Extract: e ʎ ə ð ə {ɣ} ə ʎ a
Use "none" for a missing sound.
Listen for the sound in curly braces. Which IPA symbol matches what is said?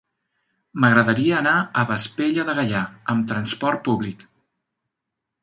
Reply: ɣ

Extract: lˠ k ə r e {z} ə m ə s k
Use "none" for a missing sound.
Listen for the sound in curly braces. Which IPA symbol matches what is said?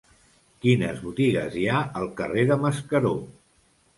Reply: ð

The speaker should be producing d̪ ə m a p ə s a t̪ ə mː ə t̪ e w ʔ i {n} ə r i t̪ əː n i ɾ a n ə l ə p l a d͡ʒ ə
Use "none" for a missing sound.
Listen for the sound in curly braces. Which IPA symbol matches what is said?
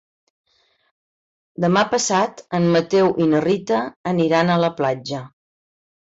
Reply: n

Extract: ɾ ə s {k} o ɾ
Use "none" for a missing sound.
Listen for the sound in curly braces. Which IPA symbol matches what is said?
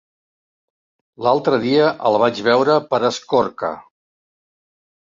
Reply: k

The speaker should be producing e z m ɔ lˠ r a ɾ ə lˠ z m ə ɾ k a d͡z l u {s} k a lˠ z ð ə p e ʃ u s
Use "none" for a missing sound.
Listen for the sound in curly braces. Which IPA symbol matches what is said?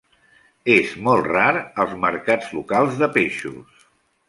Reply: none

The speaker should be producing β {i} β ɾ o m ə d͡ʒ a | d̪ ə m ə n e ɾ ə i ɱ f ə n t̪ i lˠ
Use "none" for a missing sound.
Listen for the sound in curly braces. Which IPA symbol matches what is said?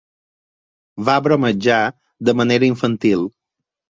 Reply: a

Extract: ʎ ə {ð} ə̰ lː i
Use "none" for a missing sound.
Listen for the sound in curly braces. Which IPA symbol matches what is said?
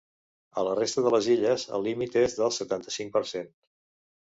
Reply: z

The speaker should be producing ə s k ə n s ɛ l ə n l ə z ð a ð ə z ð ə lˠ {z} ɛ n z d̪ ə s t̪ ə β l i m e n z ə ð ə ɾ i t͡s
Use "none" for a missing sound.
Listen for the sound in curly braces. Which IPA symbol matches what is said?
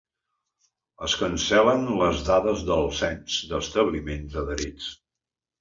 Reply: s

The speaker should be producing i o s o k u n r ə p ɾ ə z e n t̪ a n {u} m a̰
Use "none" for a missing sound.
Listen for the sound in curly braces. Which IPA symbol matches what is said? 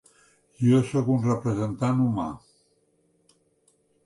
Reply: u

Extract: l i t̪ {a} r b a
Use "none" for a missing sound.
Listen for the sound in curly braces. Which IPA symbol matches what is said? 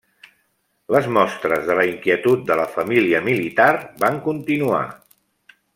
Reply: a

